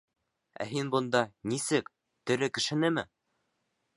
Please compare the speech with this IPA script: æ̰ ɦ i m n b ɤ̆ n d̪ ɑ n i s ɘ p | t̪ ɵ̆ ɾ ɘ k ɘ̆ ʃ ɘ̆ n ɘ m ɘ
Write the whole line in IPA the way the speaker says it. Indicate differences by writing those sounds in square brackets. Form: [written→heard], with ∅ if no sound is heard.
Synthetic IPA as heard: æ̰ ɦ i [m→∅] n b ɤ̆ n d̪ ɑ n i s ɘ [p→k] | t̪ ɵ̆ ɾ ɘ k ɘ̆ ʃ ɘ̆ n ɘ m ɘ